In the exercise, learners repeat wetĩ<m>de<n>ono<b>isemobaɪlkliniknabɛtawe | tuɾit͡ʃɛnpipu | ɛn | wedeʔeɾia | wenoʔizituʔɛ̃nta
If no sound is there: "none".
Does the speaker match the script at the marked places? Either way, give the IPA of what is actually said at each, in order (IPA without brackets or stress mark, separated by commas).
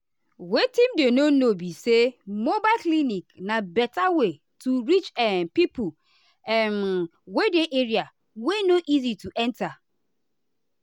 m, n, b